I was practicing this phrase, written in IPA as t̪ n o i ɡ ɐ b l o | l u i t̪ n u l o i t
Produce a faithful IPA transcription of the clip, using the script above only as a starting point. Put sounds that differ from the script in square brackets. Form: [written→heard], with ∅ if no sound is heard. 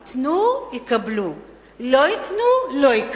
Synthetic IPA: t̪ n [o→u] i [ɡ→k] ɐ b l [o→u] | l [u→o] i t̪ n u l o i [t→k]